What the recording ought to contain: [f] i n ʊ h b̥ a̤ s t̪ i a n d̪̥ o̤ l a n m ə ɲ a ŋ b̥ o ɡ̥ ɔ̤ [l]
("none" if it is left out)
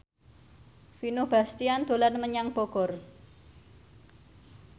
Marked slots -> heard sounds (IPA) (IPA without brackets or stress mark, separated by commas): f, r